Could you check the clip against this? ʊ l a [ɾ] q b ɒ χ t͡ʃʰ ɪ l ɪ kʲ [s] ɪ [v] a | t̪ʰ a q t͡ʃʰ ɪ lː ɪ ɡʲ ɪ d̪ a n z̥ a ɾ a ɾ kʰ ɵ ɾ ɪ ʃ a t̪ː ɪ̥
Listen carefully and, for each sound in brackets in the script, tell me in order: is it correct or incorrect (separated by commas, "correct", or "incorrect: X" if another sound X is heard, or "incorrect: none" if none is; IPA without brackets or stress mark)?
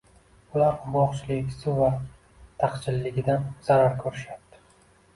correct, correct, correct